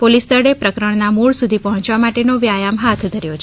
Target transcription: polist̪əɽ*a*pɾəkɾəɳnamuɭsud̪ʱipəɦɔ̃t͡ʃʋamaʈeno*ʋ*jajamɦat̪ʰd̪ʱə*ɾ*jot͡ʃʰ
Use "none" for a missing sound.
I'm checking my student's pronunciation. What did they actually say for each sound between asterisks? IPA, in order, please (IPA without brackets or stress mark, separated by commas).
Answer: e, ʋ, ɾ